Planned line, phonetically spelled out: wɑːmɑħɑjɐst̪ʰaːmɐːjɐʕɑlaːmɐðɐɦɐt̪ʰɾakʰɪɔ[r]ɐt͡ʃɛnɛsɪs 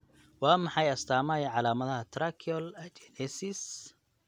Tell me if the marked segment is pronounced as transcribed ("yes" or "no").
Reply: no